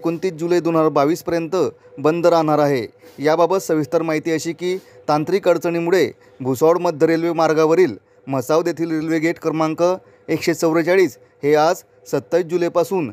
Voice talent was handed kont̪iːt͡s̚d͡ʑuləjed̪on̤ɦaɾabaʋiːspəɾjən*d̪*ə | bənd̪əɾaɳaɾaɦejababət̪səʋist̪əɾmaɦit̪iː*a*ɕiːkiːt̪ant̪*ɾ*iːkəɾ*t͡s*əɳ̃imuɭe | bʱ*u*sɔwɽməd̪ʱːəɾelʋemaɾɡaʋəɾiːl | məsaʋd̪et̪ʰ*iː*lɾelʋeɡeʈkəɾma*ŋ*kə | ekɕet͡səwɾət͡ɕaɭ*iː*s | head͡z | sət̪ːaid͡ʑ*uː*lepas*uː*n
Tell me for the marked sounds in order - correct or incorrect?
incorrect: t̪, incorrect: ə, correct, correct, correct, correct, correct, correct, incorrect: u, correct

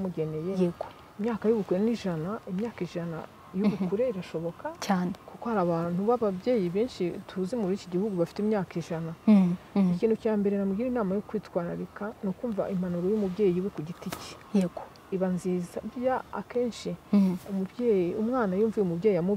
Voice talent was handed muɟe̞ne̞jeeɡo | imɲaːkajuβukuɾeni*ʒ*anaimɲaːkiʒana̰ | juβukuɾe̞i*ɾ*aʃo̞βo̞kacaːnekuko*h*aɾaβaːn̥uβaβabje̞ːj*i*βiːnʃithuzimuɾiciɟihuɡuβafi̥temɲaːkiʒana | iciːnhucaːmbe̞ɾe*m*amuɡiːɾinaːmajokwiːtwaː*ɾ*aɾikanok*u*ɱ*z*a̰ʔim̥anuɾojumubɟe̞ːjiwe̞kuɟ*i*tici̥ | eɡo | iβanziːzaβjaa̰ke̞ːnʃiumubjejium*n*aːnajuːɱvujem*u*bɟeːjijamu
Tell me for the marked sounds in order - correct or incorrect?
correct, correct, correct, correct, incorrect: n, correct, incorrect: uː, incorrect: v, correct, incorrect: ŋ, correct

